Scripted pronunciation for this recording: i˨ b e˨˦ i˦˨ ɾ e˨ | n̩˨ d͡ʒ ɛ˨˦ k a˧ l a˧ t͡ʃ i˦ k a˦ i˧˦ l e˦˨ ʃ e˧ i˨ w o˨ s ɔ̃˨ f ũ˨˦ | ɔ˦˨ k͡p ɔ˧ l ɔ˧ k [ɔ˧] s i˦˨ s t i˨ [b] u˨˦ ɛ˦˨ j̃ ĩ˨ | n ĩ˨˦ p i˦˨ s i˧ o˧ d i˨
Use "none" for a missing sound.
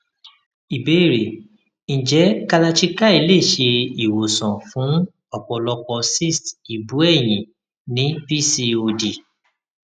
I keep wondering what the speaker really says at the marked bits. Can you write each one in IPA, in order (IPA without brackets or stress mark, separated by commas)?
ɔ˧, b